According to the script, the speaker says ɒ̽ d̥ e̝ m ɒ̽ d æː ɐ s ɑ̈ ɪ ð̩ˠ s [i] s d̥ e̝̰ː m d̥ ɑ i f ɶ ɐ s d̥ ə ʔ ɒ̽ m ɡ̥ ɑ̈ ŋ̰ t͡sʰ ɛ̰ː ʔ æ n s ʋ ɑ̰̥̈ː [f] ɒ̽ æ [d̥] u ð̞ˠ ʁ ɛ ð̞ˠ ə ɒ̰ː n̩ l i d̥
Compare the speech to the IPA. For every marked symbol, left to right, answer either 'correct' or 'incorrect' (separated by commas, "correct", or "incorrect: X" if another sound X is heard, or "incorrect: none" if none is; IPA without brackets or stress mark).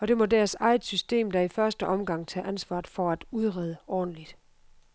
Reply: incorrect: y, correct, correct